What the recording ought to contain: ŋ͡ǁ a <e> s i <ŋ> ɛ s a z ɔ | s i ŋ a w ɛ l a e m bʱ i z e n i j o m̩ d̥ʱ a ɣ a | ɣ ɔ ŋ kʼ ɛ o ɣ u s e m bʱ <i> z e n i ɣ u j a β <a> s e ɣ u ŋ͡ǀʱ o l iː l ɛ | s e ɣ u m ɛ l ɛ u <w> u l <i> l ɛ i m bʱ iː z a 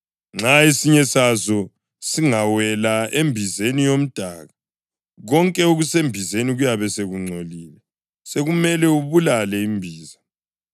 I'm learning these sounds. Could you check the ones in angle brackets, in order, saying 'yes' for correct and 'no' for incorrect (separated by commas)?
yes, no, yes, no, no, no